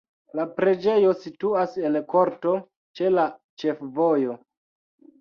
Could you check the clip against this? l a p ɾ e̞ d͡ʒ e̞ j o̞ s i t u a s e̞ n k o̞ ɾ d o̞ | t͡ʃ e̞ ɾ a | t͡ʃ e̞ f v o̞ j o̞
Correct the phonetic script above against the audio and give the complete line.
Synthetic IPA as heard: l a p ɾ e̞ d͡ʒ e̞ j o̞ s i t u a s e̞ n k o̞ ɾ t o̞ | t͡ʃ e̞ l a | t͡ʃ e̞ f v o̞ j o̞